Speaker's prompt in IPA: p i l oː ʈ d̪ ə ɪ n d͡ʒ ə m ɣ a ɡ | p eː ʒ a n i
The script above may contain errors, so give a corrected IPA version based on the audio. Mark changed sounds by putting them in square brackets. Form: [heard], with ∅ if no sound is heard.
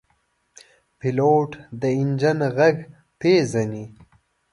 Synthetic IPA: p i l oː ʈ d̪ ə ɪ n d͡ʒ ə [n] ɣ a ɡ | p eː [z] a n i